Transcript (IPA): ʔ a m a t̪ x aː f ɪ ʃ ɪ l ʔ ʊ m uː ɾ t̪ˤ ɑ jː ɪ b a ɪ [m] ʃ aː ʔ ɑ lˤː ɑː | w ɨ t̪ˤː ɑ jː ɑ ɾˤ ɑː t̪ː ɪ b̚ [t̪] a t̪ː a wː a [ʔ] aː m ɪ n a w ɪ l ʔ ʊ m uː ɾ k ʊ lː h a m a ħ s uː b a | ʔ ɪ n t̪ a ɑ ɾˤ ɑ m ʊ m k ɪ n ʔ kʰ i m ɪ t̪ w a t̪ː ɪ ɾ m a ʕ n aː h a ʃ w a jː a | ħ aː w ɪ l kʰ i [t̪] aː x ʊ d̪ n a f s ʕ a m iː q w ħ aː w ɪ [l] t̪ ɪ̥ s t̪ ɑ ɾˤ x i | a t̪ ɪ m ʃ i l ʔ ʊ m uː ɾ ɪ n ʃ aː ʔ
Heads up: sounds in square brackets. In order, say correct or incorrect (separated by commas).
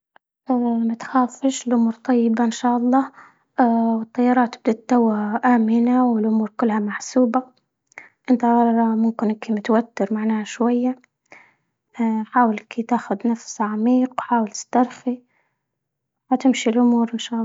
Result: incorrect, incorrect, correct, correct, correct